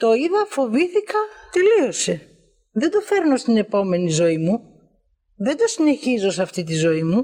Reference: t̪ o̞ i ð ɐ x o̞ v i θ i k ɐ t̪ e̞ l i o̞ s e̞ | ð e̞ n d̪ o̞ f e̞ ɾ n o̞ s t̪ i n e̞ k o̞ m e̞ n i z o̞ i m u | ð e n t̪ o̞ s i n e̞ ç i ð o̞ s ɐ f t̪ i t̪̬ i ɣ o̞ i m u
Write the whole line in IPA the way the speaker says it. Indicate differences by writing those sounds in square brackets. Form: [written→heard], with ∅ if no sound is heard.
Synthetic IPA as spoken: t̪ o̞ i ð ɐ [x→f] o̞ v i θ i k ɐ t̪ e̞ l i o̞ s e̞ | ð e̞ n d̪ o̞ f e̞ ɾ n o̞ s t̪ i n e̞ [k→p] o̞ m e̞ n i z o̞ i m u | ð e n [t̪→d̪] o̞ s i n e̞ ç i [ð→z] o̞ s ɐ f t̪ i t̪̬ i [ɣ→z] o̞ i m u